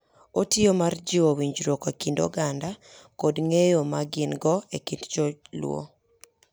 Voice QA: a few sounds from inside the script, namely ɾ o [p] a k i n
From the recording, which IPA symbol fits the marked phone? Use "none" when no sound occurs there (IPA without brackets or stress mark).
k